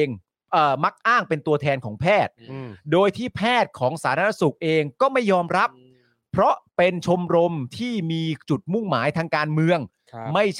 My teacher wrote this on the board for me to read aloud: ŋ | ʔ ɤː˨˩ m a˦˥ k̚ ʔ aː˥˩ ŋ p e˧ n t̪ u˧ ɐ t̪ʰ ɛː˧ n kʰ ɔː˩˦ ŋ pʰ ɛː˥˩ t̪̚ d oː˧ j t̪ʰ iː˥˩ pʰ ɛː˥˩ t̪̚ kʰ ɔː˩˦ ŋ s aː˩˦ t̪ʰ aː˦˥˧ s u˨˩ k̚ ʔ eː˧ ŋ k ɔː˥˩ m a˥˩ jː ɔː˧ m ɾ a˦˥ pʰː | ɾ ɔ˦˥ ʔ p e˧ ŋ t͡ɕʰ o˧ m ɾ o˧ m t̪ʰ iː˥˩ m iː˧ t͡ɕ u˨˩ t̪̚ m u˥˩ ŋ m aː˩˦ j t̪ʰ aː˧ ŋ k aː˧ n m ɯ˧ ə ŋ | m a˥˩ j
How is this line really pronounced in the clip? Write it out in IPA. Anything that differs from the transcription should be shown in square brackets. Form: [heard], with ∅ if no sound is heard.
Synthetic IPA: ŋ | ʔ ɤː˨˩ m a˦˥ k̚ ʔ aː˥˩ ŋ p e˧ n t̪ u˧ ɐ t̪ʰ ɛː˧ n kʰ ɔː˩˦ ŋ pʰ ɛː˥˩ t̪̚ d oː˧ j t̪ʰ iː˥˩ pʰ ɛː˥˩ t̪̚ kʰ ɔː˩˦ ŋ s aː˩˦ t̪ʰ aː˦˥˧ s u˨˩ k̚ ʔ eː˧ ŋ k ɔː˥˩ m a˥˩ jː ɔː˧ m ɾ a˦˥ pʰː | ɾ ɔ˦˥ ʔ p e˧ [n] t͡ɕʰ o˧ m ɾ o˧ m t̪ʰ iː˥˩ m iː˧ t͡ɕ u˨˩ t̪̚ m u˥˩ ŋ m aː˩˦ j t̪ʰ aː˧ ŋ k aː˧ n m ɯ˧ ə ŋ | m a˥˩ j